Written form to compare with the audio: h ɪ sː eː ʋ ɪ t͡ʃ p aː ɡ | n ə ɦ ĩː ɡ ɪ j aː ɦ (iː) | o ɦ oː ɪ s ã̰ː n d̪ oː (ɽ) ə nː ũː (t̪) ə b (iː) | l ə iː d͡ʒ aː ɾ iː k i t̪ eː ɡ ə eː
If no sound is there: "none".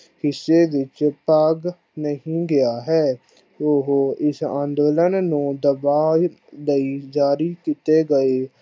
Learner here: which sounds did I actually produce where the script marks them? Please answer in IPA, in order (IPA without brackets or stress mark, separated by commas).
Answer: ɛː, l, d̪, aː